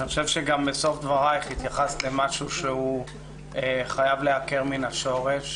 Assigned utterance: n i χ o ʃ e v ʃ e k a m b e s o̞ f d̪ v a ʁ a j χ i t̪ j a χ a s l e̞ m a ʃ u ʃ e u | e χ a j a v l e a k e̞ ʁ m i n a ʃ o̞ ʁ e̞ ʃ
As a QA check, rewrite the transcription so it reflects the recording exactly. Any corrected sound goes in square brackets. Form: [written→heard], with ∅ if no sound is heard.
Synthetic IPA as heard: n i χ o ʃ e v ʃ e [k→ɡ] a m b e s o̞ f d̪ v a ʁ a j χ i t̪ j a χ a s l e̞ m a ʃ u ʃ e u | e χ a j a v l e a k e̞ ʁ m i n a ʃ o̞ ʁ e̞ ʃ